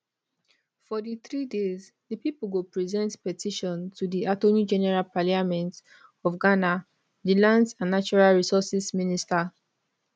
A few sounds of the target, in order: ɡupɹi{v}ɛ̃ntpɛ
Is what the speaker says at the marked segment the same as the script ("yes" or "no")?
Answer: no